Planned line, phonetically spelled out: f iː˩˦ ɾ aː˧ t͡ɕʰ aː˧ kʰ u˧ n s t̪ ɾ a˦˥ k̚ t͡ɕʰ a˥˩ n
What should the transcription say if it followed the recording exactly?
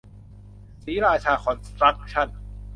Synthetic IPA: s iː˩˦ ɾ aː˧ t͡ɕʰ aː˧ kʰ ɔ˧ n s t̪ ɾ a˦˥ k̚ t͡ɕʰ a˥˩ n